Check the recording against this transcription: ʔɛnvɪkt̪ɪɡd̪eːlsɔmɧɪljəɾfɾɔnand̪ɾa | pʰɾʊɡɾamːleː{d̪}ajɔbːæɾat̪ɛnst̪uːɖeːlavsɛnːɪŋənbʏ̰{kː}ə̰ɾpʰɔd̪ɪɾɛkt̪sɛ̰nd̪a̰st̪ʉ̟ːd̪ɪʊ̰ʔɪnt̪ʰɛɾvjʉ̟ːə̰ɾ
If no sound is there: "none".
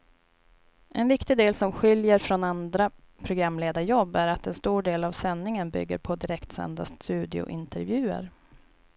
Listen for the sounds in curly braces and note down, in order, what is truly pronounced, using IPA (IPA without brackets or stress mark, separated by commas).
d̪, ɡː